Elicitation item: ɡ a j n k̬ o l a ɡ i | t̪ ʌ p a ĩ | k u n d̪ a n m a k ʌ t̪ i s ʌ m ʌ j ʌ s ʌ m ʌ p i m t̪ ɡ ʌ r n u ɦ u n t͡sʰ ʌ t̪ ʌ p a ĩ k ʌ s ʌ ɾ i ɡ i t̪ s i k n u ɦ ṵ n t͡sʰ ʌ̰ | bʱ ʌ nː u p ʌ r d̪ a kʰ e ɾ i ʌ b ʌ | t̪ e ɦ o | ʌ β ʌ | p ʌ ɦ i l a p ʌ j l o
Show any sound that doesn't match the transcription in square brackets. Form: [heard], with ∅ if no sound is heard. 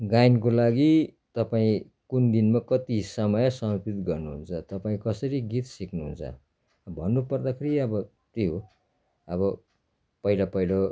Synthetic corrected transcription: ɡ a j n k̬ o l a ɡ i | t̪ ʌ p a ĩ | k u n d̪ [i] n m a k ʌ t̪ i s ʌ m ʌ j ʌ s ʌ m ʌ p i [∅] t̪ ɡ ʌ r n u ɦ u n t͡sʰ ʌ t̪ ʌ p a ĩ k ʌ s ʌ ɾ i ɡ i t̪ s i k n u ɦ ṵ n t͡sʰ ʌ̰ | bʱ ʌ nː u p ʌ r d̪ a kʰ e ɾ i ʌ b ʌ | t̪ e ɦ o | ʌ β ʌ | p ʌ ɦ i l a p ʌ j l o